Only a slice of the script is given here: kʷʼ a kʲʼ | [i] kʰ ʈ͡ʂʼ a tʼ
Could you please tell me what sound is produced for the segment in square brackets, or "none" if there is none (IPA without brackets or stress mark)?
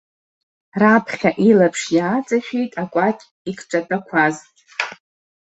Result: i